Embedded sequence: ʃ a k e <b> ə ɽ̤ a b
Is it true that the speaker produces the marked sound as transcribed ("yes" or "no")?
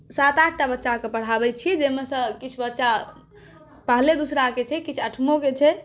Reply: no